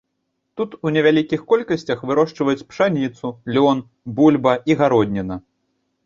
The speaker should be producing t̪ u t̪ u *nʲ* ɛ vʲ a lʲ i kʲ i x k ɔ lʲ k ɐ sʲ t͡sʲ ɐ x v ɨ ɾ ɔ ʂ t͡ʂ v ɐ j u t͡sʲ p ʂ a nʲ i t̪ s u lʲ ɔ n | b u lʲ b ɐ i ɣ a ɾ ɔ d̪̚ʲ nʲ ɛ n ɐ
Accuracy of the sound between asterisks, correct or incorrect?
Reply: correct